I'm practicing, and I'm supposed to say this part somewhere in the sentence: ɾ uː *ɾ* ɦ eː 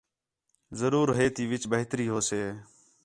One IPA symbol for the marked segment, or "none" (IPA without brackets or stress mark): ɾ